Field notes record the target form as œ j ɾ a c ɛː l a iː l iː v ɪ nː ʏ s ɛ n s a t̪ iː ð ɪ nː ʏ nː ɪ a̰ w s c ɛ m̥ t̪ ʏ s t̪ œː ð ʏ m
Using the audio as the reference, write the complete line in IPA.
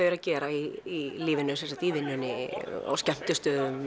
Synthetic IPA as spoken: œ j ɾ a c ɛː ɾ a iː l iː v ɪ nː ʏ s ɛ n s a t̪ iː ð ɪ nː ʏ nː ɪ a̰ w s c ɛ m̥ t̪ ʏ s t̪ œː ð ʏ m